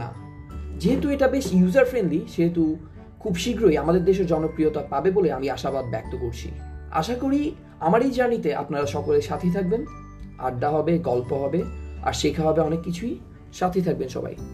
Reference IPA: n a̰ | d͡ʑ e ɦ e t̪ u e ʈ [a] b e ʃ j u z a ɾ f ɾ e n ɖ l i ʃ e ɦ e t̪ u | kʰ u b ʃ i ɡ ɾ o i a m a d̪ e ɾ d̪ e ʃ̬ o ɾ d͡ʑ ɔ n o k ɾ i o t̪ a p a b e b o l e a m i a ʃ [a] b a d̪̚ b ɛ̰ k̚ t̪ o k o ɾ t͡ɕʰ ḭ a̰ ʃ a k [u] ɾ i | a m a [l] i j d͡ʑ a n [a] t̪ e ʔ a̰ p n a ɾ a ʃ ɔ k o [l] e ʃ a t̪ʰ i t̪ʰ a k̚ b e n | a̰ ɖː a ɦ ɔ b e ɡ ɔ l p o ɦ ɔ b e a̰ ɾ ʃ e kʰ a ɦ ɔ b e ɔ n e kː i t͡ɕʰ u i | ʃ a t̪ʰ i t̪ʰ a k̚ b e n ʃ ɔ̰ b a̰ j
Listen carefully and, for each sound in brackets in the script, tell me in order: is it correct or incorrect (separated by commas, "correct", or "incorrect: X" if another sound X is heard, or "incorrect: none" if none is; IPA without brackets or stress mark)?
correct, correct, incorrect: o, incorrect: ɾ, incorrect: i, correct